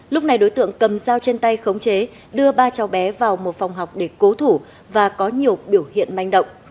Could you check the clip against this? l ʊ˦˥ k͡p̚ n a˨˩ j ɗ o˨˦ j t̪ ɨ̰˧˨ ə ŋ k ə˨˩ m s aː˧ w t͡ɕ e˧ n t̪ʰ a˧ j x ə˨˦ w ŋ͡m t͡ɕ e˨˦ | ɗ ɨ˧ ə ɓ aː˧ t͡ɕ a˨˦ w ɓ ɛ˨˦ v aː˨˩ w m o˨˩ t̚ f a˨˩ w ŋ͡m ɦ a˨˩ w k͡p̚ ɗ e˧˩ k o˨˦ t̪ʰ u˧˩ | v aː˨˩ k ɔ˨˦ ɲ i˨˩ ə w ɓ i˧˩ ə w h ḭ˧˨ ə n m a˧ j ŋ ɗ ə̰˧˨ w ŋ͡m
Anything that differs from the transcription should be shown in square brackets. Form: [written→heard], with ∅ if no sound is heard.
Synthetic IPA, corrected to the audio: l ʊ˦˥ k͡p̚ n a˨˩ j ɗ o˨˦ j t̪ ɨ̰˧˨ ə ŋ k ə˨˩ m [s→z] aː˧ w t͡ɕ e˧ n [t̪ʰ→t̪] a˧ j x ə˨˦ w ŋ͡m t͡ɕ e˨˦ | ɗ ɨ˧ ə ɓ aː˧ t͡ɕ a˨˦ w ɓ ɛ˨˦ v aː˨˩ w m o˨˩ t̚ f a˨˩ w ŋ͡m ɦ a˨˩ w k͡p̚ ɗ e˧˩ k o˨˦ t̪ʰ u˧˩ | v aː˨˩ k ɔ˨˦ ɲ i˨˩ ə w ɓ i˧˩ ə w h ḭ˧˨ ə n m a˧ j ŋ ɗ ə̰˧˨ w ŋ͡m